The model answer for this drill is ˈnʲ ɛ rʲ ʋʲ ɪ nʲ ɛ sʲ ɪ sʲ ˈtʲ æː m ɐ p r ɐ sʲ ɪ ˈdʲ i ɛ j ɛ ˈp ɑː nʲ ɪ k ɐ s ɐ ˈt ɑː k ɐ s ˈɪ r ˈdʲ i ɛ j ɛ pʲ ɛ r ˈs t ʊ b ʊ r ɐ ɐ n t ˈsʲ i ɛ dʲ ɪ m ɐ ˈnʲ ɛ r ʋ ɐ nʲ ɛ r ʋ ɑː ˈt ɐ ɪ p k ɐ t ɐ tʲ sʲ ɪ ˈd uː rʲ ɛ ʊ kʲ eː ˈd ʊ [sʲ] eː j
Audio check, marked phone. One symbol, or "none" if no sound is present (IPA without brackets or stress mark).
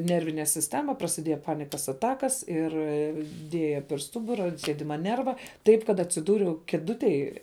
tʲ